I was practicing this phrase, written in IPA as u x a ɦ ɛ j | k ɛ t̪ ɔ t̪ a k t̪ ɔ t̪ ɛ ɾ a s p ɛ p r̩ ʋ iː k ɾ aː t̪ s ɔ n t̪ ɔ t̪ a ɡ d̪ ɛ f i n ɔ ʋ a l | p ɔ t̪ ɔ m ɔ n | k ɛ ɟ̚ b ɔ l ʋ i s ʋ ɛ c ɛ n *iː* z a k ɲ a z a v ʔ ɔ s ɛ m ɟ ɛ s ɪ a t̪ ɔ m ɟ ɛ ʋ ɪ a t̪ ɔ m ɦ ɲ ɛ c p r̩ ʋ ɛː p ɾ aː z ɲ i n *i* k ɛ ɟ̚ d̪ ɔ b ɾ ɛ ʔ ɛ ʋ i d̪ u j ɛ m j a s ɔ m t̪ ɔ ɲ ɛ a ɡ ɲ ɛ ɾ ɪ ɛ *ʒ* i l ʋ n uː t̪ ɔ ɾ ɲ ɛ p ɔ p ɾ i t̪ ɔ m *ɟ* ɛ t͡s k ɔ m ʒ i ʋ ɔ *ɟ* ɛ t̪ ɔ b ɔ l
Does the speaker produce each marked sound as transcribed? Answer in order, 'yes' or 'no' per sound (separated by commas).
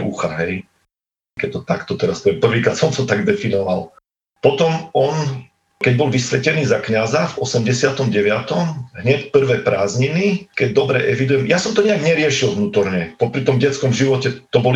yes, yes, no, yes, no